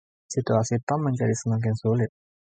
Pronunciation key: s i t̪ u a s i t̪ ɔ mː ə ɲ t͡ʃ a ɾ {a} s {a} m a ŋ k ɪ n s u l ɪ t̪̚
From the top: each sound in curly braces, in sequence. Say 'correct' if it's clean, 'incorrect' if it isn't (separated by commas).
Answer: incorrect, incorrect